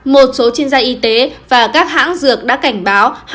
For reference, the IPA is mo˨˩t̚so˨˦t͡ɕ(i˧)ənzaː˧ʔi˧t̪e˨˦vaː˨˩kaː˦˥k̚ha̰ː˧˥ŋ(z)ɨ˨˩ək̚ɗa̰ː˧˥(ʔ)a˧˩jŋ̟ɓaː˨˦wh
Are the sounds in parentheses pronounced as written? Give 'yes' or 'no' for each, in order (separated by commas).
yes, yes, no